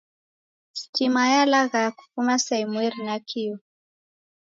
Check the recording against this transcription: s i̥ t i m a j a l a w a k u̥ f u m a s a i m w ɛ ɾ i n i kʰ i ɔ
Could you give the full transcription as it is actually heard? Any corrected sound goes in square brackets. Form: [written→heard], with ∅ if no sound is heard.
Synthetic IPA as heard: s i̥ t i m a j a l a [w→ɣ] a k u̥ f u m a s a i m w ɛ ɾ i n [i→a] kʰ i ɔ